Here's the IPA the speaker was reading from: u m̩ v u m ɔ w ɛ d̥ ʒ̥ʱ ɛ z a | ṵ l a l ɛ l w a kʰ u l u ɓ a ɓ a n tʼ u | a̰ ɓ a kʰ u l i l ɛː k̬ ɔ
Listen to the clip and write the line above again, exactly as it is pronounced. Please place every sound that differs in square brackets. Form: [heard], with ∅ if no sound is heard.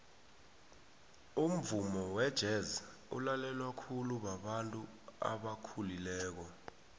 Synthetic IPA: u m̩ v u m ɔ w ɛ d̥ ʒ̥ʱ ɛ z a | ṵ l a l ɛ l w a kʰ u l u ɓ a ɓ a n tʼ u | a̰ ɓ a kʰ u l i l ɛː k̬ ɔ

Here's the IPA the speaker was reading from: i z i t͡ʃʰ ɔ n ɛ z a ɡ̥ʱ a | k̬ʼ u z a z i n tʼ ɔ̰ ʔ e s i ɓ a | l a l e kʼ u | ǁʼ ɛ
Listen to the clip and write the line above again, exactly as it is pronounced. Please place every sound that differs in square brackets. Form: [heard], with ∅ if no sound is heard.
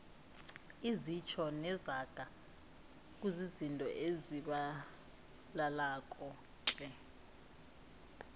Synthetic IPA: i z i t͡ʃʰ ɔ n ɛ z a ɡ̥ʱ a | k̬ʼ u z [i] z i n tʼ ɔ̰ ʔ e [z] i ɓ a | l a l [a] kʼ [ɔ] | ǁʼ ɛ

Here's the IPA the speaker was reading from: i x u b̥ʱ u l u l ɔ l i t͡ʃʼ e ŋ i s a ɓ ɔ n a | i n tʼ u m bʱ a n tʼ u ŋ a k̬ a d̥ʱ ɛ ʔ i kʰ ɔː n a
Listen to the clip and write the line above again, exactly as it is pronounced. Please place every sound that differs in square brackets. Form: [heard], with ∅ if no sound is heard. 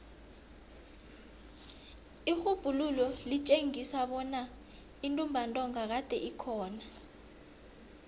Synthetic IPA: i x u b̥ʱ u l u l ɔ l i t͡ʃʼ e ŋ i s a ɓ ɔ n a | i n tʼ u m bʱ a n tʼ [ɔ] ŋ a k̬ a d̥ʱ ɛ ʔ i kʰ ɔː n a

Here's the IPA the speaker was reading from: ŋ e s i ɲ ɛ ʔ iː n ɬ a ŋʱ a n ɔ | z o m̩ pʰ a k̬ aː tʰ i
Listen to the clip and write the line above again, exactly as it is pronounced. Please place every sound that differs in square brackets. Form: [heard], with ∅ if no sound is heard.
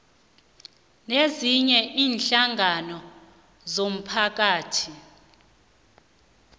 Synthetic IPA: [n] e [z] i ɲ ɛ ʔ iː n ɬ a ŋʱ a n ɔ | z o m̩ pʰ a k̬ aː tʰ i

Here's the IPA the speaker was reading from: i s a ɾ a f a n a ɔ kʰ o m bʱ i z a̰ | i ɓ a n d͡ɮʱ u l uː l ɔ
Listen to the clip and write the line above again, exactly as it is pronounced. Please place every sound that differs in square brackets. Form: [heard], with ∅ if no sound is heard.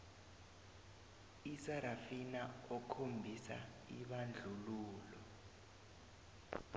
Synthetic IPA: i s a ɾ a f [i] n a ɔ kʰ o m bʱ i [s] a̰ | i ɓ a n d͡ɮʱ u l uː l ɔ

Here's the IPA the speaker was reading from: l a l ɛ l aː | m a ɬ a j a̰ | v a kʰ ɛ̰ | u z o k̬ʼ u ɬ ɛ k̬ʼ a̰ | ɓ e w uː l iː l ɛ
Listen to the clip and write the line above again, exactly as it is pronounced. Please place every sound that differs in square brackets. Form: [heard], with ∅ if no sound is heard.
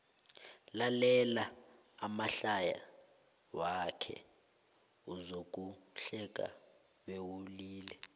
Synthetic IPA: l a l ɛ l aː | m a ɬ a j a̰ | [w] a kʰ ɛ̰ | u z o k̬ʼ u ɬ ɛ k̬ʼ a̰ | ɓ e w [u] l iː l ɛ

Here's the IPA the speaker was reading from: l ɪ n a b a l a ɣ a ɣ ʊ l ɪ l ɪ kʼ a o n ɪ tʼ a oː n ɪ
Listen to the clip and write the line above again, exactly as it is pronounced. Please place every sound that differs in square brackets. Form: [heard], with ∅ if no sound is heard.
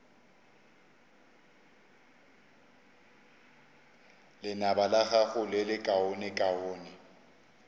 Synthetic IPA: l ɪ n a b a l a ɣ a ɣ ʊ l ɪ l ɪ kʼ a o n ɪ [kʼ] a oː n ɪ

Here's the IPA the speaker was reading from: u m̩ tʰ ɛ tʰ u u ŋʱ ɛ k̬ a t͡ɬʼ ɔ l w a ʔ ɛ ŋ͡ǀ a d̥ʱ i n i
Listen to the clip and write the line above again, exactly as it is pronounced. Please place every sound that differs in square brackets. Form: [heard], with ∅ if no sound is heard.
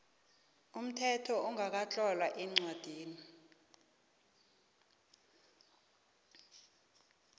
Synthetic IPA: u m̩ tʰ ɛ tʰ [ɔ] u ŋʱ [a] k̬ a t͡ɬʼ ɔ l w a ʔ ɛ ŋ͡ǀ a d̥ʱ [iː] n i

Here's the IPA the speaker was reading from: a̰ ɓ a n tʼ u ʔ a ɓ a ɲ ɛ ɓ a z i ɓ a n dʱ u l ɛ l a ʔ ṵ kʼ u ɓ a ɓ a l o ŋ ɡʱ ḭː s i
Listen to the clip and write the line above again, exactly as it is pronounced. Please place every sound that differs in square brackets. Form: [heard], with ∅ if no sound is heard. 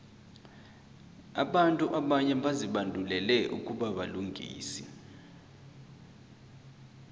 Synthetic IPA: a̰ ɓ a n tʼ u ʔ a ɓ a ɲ ɛ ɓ a z i ɓ a n dʱ u l ɛ l [ɛ] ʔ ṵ kʼ u ɓ a ɓ a l [u] ŋ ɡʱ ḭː s i

